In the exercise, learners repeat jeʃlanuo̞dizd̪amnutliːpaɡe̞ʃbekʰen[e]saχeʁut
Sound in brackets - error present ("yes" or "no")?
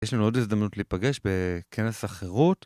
no